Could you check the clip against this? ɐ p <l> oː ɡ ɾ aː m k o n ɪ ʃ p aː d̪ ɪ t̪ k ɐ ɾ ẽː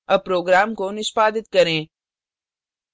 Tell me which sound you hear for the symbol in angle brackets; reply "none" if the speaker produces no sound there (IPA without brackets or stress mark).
ɾ